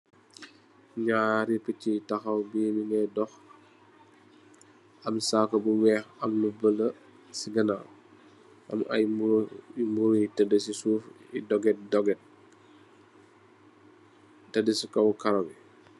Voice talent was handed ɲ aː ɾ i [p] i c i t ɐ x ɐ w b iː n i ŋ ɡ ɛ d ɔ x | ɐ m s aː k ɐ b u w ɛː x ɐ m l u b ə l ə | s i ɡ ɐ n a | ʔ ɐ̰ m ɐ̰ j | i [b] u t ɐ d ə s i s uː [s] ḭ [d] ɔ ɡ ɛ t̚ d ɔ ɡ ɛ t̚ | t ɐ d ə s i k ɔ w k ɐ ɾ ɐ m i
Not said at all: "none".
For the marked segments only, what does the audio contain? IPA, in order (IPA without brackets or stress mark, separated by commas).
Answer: p, m, f, d